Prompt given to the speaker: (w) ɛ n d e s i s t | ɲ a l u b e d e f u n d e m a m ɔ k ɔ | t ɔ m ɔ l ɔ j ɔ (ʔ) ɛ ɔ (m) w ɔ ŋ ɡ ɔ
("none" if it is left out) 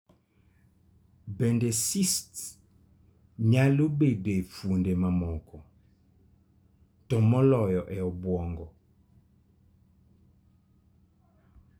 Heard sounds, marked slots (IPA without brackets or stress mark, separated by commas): b, ʔ, b